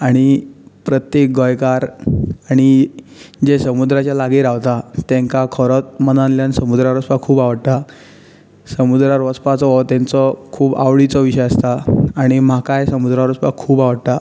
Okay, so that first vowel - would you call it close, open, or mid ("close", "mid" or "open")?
open